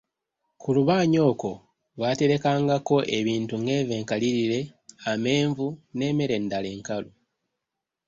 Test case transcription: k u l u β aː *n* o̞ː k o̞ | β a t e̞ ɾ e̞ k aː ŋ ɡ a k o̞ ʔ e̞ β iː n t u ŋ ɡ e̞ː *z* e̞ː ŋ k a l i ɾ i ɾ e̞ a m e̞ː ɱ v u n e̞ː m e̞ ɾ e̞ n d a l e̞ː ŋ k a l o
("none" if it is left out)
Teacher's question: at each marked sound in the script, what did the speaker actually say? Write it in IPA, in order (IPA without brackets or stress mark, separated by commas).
ɲ, v